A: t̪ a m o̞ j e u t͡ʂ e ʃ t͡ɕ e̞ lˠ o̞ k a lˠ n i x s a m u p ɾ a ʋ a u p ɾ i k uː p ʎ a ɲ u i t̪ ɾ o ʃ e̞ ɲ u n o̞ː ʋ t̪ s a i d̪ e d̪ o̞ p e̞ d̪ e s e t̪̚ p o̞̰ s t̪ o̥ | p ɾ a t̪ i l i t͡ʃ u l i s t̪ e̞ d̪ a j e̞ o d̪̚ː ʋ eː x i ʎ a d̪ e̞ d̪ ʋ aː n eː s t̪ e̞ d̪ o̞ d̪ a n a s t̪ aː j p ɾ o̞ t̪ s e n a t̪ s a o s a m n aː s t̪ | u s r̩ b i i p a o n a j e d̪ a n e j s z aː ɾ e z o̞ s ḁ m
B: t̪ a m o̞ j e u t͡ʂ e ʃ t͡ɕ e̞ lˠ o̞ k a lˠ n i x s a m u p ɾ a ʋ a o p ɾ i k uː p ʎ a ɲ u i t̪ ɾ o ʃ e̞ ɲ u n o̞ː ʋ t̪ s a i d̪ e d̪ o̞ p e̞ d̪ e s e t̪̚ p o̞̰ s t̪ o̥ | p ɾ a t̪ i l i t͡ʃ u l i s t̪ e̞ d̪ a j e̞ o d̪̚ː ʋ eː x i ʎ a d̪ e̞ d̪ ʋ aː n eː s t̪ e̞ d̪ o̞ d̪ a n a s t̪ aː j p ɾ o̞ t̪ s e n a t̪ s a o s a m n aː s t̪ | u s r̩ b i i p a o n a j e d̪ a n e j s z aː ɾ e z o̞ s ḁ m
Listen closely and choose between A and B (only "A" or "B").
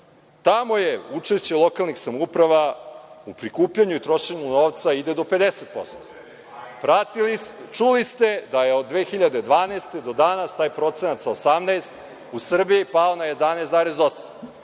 A